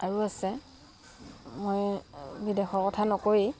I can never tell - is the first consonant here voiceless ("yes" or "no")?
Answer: no